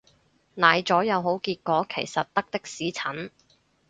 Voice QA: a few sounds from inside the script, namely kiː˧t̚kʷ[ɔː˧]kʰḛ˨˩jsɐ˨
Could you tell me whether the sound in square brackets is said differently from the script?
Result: yes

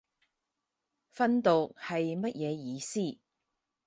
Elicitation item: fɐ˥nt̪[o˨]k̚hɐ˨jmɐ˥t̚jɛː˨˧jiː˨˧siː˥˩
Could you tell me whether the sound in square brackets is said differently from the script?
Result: no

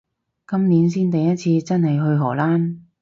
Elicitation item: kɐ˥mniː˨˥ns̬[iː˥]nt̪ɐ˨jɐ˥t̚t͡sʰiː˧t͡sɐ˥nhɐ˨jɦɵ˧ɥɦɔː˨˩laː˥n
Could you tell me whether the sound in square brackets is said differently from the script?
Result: no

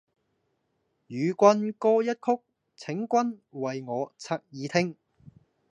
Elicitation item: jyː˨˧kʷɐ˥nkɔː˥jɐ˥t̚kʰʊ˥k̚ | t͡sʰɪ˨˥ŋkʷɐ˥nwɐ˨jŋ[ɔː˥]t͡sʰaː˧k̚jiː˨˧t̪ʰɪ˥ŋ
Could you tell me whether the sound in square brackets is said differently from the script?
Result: yes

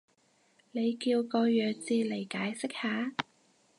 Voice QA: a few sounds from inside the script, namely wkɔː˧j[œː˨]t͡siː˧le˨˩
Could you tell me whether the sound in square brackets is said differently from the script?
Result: no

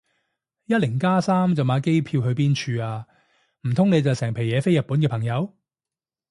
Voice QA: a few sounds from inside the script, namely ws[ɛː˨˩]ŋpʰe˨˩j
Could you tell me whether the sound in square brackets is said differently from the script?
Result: no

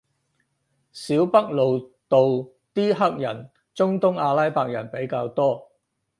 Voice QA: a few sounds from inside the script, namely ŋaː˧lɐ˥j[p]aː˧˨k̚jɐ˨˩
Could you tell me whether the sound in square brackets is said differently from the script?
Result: no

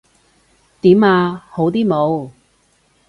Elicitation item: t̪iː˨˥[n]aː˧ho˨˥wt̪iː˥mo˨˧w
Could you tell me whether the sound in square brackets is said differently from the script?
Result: yes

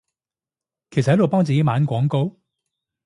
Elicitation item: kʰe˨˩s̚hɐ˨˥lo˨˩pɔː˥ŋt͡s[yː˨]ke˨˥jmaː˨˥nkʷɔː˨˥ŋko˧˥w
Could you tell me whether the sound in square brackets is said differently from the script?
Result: yes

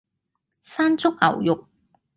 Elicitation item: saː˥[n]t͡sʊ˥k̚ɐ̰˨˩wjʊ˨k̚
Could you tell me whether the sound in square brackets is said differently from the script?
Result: no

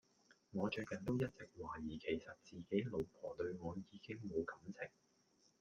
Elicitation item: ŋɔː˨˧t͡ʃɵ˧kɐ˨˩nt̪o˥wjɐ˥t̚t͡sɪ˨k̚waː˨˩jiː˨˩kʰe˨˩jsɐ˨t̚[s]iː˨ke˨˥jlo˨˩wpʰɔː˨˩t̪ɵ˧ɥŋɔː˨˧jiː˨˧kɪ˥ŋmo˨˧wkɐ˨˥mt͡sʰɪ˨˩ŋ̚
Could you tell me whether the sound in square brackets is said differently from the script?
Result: yes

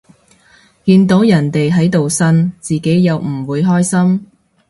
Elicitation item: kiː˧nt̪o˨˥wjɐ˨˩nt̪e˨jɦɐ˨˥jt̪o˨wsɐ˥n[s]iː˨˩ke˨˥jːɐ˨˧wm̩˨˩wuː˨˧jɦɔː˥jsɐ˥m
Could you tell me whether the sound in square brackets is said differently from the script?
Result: yes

